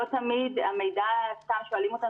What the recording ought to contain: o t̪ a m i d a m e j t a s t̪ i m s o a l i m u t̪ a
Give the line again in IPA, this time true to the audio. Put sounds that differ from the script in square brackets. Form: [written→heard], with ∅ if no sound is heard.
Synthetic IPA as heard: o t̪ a m i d a m e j [t→d] a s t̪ [i→a] m [s→ʃ] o a l i m [u→o] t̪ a